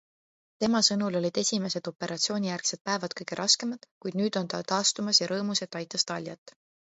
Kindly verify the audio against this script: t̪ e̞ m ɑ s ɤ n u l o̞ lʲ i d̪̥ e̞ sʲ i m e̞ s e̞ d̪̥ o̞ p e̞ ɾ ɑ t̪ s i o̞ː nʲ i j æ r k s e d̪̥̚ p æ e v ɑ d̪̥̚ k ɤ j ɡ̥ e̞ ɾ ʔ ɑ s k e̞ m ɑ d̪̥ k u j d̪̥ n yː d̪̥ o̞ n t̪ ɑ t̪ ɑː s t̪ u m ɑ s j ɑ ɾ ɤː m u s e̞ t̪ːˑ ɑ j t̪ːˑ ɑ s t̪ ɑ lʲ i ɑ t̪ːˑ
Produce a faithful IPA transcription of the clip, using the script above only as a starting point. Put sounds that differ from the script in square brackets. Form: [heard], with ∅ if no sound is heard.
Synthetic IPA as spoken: t̪ e̞ m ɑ s ɤ n u l o̞ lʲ i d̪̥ e̞ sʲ i m e̞ s e̞ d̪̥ o̞ p e̞ ɾ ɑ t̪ s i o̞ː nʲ i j æ r k s e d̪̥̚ p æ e v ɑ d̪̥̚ k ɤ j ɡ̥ e̞ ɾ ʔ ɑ s k e̞ m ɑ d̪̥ k u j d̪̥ n yː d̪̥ o̞ n t̪ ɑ t̪ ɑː s t̪ u m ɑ s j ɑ ɾ ɤː m u s e̞ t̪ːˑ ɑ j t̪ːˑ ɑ s t̪ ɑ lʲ [j] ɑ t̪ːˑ